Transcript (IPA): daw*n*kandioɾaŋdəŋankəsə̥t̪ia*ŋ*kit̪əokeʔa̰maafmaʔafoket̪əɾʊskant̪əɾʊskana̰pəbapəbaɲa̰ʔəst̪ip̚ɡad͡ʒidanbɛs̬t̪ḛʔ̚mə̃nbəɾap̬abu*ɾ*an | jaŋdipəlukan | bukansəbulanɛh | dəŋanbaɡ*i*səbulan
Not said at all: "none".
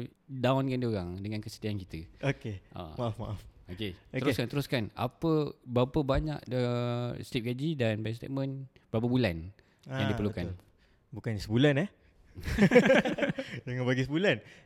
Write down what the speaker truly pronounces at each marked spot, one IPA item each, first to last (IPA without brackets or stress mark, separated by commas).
n, n, l, i